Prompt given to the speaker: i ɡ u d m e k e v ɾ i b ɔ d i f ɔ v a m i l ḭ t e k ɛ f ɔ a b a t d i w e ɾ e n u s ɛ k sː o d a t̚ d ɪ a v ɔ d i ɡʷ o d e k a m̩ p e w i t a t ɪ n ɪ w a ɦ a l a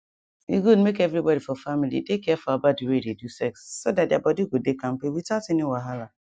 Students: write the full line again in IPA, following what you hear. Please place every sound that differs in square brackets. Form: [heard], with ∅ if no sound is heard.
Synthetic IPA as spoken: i ɡ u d m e k e v ɾ i b ɔ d i f ɔ [f] a m i l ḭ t e k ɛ f ɔ a b a [∅] d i w e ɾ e [d] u s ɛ k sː o d a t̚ d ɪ a [b] ɔ d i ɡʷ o d e k a m̩ p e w i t a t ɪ n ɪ w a ɦ a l a